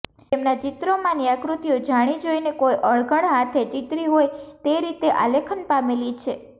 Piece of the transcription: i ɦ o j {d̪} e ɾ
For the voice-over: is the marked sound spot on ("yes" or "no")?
no